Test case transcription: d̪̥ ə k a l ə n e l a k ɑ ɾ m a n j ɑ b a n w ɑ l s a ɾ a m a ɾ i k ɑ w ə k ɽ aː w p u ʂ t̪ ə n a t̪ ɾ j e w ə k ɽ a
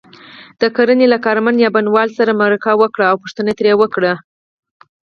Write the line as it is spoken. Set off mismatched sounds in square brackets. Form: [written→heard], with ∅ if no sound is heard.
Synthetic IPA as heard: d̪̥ ə k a [l→ɾ] ə n e l a k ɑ ɾ m a n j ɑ b a n w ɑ l s a ɾ a m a ɾ [i→a] k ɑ w ə k ɽ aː w p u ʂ t̪ ə n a t̪ ɾ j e w ə k ɽ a